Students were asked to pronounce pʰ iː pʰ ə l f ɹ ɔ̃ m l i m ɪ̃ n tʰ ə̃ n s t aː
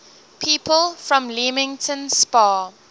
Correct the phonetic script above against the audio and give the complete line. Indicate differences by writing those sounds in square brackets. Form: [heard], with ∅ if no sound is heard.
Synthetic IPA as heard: pʰ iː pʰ ə l f ɹ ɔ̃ m l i m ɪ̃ [ŋ] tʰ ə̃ n s [p] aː

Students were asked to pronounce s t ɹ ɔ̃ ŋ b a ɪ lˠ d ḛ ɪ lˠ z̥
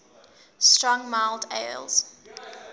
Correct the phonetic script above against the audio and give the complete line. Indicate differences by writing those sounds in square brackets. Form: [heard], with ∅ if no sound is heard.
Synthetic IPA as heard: s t ɹ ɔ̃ ŋ [m] a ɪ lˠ d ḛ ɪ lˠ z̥

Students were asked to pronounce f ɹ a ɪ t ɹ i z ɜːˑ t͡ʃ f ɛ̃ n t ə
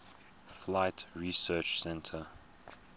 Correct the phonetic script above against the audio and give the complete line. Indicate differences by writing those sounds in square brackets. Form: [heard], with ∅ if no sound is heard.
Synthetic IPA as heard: f [l] a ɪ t ɹ i [s] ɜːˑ t͡ʃ [s] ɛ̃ n [tʰ] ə

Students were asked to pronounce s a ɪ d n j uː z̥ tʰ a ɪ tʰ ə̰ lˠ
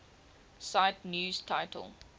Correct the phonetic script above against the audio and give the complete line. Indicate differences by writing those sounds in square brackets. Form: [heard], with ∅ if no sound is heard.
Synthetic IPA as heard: s a ɪ [t] n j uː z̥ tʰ a ɪ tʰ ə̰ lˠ

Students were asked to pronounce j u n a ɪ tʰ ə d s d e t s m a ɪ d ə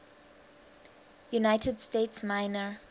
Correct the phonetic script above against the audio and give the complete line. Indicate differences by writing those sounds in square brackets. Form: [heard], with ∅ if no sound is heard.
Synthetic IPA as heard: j u n a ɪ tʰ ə d s [t] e t s m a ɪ [n] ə

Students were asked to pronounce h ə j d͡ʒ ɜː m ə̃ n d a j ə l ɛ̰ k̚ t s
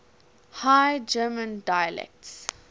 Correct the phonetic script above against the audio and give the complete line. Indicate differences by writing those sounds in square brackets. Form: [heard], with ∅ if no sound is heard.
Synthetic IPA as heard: h [a] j d͡ʒ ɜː m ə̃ n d a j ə l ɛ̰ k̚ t s

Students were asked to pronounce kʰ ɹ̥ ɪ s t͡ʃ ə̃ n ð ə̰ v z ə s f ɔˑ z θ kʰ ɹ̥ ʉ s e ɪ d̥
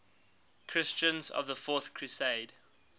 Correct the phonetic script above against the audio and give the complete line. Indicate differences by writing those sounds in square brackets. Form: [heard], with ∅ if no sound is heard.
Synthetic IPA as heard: kʰ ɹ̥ ɪ s t͡ʃ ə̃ n [z] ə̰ v [ð] ə [∅] f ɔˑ [∅] θ kʰ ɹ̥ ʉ s e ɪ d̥

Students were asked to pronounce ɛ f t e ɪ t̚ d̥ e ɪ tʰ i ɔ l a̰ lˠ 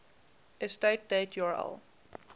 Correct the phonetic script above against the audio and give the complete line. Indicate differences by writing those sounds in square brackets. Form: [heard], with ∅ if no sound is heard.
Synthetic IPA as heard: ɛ [s] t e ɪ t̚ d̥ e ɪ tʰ [j] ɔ [ɹ] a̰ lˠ

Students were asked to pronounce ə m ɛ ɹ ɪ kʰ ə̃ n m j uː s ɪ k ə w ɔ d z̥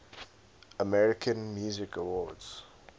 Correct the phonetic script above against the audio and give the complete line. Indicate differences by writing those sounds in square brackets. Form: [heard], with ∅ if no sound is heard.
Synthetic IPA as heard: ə m ɛ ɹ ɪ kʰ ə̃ n m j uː [z] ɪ k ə w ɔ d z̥

